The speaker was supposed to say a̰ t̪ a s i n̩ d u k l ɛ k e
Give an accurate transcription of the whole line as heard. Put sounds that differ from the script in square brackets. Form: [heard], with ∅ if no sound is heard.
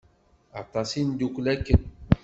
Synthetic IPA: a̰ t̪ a s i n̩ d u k l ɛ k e